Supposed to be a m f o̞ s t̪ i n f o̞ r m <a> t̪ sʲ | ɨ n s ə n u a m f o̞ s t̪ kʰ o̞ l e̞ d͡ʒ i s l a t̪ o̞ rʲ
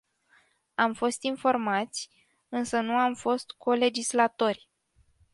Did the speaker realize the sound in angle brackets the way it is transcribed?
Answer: yes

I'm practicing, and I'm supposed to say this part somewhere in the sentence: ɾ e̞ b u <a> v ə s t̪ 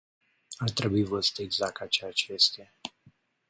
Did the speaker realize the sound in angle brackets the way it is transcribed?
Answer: no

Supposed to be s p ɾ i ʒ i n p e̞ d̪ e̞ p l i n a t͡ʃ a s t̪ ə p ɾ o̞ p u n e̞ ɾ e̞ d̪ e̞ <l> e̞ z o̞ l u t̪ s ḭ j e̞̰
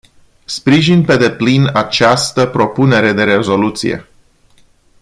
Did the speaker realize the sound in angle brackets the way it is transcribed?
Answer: no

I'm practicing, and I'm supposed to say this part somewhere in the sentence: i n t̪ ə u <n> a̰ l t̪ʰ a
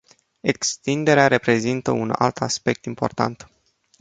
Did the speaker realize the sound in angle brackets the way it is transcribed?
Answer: yes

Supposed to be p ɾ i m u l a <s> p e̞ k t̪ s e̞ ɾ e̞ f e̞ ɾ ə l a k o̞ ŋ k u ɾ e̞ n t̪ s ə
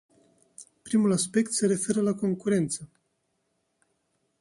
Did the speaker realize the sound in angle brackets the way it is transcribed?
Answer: yes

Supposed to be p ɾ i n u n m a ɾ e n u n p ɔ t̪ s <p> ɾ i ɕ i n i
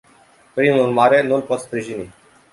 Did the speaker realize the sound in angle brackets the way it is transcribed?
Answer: yes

